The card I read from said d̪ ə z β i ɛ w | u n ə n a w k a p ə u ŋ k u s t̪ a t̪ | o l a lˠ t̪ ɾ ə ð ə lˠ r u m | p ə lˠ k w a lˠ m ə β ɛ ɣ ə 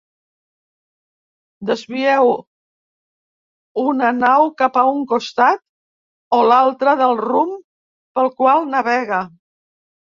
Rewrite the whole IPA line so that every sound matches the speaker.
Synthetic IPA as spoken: d̪ ə z β i ɛ w | u n ə n a w k a p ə u ŋ k u s t̪ a t̪ | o l a lˠ t̪ ɾ ə ð ə lˠ r u m | p ə lˠ k w a lˠ n ə β ɛ ɣ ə